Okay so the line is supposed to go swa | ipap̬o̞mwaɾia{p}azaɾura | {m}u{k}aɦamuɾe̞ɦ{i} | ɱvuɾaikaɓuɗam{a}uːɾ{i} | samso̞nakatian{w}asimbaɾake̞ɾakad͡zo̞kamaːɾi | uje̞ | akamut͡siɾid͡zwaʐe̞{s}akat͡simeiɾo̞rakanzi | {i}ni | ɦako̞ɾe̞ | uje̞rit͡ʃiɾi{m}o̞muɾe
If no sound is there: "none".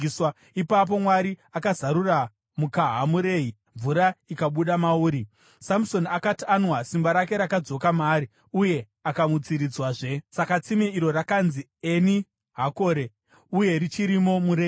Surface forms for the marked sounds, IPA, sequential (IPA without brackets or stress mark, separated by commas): k, m, k, i, a, i, w, s, e, m